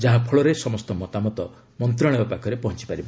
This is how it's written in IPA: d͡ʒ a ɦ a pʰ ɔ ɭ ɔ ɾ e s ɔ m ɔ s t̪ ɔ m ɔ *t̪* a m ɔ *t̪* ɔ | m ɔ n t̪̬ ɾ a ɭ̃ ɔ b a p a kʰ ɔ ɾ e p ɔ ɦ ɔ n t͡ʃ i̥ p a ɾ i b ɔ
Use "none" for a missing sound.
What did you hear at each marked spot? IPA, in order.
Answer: t̪, t̪

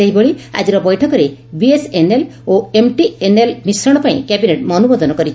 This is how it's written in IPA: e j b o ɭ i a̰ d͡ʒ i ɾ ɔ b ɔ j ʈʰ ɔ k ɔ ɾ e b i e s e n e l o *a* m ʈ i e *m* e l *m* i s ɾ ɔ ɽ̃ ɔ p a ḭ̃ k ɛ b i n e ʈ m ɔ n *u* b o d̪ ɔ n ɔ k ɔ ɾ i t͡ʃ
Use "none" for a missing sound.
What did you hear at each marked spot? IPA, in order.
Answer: e, n, m, u

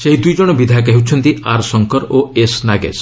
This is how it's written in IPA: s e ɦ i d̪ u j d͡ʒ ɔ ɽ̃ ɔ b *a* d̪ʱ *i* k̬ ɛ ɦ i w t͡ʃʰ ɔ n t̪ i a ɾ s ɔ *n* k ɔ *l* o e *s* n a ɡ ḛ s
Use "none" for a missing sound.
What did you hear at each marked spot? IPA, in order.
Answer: i, a, ŋ, ɾ, s

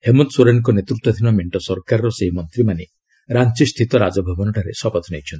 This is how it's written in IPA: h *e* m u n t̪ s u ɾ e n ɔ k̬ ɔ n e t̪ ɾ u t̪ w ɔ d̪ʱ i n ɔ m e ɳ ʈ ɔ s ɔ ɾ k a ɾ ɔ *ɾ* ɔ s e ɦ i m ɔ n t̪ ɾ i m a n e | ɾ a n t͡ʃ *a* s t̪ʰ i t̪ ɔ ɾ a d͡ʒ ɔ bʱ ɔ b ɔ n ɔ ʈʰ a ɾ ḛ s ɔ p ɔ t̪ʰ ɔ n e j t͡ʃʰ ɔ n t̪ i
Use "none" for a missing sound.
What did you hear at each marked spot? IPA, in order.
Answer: e, ɾ, i

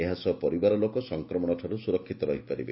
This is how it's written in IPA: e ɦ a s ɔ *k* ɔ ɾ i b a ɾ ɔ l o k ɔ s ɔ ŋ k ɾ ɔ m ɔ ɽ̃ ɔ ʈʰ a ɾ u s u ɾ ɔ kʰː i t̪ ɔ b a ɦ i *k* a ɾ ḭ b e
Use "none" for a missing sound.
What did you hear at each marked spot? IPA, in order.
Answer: p, p

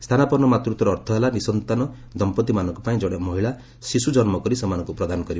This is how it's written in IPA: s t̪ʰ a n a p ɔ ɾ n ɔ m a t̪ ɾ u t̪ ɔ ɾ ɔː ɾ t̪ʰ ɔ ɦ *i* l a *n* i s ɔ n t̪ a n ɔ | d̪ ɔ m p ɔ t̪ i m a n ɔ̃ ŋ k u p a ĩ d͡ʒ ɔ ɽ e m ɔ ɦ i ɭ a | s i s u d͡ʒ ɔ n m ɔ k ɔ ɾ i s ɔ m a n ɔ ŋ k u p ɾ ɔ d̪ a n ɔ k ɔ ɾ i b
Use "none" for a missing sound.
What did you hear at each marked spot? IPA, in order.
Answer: e, n

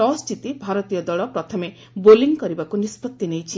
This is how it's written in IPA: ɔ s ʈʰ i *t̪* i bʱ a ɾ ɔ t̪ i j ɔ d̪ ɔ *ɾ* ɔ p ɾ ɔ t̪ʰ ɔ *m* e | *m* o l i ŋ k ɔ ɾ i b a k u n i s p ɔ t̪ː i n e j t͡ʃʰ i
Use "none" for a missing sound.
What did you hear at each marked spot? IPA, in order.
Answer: t̪, ɭ, m, b

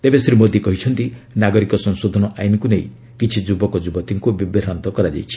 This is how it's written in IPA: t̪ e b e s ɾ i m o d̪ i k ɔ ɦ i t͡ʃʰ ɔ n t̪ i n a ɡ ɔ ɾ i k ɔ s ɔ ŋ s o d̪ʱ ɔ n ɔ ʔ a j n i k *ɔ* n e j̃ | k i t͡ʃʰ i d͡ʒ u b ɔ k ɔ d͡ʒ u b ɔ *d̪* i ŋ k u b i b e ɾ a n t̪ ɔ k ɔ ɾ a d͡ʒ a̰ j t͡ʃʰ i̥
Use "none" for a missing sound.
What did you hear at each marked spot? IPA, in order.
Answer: u, t̪

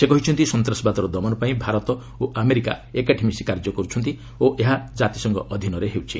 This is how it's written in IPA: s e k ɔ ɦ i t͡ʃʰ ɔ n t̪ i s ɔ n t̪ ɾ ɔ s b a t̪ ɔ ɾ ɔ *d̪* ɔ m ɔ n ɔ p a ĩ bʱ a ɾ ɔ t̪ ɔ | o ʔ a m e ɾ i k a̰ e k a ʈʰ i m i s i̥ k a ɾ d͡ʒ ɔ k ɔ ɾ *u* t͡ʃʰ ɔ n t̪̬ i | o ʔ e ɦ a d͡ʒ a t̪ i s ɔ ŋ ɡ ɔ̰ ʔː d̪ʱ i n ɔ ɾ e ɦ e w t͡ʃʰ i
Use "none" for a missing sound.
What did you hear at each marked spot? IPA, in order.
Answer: d̪, u

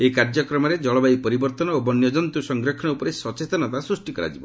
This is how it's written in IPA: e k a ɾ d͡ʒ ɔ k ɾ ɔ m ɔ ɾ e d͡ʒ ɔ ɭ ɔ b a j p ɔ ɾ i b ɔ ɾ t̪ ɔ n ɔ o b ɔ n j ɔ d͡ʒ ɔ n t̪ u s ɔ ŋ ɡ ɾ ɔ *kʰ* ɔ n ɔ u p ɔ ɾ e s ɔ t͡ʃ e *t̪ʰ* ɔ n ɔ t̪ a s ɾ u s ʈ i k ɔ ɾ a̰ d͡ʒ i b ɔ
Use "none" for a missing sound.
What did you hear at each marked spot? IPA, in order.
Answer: kʰ, t̪

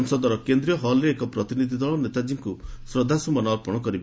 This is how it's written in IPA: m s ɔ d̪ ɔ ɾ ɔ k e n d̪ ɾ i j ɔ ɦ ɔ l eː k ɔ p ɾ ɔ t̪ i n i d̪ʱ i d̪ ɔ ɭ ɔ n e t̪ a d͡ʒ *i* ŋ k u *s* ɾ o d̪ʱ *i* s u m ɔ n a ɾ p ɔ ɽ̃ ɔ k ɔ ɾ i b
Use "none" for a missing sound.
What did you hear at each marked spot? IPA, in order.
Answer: i, s, a

